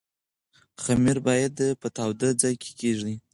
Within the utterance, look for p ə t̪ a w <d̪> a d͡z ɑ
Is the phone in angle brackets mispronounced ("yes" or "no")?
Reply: no